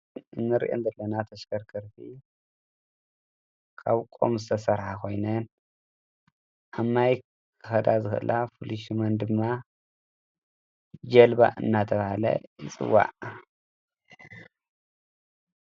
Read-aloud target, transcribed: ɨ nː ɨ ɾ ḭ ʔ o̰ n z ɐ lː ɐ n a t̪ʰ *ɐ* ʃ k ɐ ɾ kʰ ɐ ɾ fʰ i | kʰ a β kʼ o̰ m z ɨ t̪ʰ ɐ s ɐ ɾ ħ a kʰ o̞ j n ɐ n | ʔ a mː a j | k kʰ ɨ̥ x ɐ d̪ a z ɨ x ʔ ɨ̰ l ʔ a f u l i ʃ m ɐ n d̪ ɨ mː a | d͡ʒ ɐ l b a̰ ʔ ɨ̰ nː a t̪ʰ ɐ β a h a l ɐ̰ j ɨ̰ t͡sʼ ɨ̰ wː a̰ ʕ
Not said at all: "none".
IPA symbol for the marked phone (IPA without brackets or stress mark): ɐ